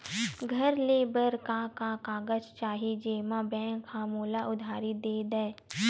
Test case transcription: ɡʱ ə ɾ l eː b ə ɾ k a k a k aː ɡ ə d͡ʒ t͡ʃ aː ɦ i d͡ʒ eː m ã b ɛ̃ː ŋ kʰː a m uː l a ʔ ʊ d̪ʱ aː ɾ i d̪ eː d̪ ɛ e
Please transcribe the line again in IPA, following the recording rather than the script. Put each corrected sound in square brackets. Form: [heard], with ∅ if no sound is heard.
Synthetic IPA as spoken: ɡʱ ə ɾ l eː b ə ɾ k a k a k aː ɡ ə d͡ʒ t͡ʃ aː ɦ i d͡ʒ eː m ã b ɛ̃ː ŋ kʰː a m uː l a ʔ ʊ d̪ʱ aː ɾ i d̪ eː d̪ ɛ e